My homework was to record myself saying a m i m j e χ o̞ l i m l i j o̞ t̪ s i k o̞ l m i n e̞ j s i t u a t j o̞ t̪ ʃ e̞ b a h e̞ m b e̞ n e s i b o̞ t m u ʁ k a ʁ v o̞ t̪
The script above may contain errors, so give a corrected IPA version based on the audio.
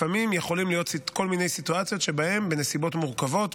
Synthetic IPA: a m i m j e χ o̞ l i m l i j o̞ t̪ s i k o̞ l m i n e̞ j s i t u a t͡s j o̞ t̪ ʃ e̞ b a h e̞ m b e̞ n e s i b o̞ t m u ʁ k a v o̞ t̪

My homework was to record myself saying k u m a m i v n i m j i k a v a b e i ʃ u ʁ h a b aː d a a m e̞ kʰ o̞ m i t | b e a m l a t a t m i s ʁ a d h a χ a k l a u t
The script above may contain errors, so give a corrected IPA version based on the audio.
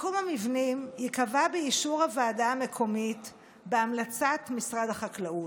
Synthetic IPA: k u m a m i v n i m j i k a v a b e i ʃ u ʁ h a v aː d a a m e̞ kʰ o̞ m i t | b e a m l a t͡s a t m i s ʁ a d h a χ a k l a u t

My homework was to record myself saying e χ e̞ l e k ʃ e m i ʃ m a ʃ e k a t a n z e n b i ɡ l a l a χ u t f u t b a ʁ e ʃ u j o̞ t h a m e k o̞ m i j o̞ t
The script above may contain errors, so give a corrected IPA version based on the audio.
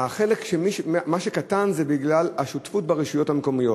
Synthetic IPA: a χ e̞ l e k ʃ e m i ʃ m a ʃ e k a t a n z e b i ɡ l a l a ʃ u t f u t b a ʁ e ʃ u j o̞ t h a m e k o̞ m i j o̞ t

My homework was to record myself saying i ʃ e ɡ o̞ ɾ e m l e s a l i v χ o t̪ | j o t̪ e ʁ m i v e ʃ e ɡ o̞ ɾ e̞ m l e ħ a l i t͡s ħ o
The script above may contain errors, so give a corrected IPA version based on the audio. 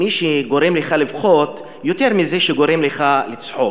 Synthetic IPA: i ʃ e ɡ o̞ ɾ e m l e χ a l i v χ o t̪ | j o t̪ e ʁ m i z e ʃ e ɡ o̞ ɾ e̞ m l e χ a l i t͡s ħ o

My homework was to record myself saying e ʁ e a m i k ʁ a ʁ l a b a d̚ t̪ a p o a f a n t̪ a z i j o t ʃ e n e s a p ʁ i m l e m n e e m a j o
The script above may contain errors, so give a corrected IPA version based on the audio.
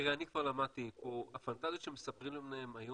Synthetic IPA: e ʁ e a n i k v a ʁ l a m a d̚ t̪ i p o a f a n t̪ a z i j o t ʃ e m e s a p ʁ i m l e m n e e m a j o

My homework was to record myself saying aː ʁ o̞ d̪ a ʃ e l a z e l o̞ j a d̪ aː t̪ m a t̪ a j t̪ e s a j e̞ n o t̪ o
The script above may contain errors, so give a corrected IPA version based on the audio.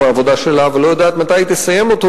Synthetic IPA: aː v o̞ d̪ a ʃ e l a v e l o̞ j a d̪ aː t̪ m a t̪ a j t̪ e s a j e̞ m o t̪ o

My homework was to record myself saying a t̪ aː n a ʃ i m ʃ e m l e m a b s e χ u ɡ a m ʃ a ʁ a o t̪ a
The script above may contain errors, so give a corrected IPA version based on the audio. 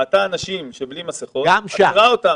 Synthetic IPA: a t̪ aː n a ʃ i m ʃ e b l i m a s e χ o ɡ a m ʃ a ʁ a o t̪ a

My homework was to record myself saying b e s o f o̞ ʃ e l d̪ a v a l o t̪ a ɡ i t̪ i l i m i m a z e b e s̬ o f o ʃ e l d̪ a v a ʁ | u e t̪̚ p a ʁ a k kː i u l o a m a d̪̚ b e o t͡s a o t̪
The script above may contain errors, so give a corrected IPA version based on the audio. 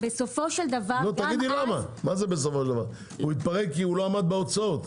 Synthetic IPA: b e s o f o̞ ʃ e l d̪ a v a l o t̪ a ɡ i d̪ i l a m a m a z e b e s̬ o f o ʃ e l d̪ a v a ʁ | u i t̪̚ p a ʁ e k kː i u l o a m a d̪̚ b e o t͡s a o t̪

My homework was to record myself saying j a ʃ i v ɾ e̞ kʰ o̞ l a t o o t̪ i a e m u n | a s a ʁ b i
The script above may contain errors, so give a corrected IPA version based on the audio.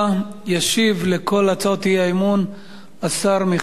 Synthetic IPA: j a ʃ i v l e̞ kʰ o̞ l a t͡s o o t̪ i a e m u n | a s a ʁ m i

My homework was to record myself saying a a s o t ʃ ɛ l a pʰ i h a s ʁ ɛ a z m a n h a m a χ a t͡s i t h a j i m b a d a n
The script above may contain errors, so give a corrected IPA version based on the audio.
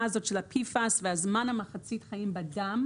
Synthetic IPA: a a z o t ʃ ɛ l a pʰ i f a s v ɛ a z m a n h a m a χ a t͡s i t χ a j i m b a d a m

